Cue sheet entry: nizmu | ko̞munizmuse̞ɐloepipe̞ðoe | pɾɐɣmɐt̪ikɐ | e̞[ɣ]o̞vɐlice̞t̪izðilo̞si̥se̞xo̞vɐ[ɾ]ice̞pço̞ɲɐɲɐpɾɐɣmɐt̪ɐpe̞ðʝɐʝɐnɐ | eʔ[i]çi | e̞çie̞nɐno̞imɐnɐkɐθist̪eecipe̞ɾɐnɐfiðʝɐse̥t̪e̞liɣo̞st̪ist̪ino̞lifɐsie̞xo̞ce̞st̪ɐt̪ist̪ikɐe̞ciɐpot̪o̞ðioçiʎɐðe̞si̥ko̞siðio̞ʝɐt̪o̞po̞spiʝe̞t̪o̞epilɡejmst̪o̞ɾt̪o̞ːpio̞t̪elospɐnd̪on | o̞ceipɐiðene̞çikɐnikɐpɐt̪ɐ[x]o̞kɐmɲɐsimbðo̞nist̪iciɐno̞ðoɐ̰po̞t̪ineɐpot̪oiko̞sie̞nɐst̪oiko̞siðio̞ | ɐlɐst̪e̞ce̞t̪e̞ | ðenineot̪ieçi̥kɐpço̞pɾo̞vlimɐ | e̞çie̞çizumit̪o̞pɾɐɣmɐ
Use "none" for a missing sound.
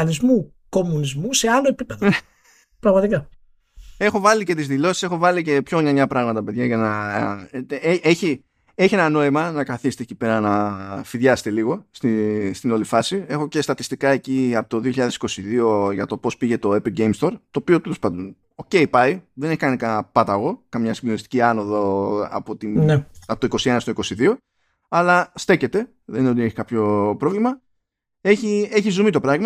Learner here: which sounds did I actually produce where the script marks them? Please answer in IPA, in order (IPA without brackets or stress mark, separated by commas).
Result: x, l, e, ɣ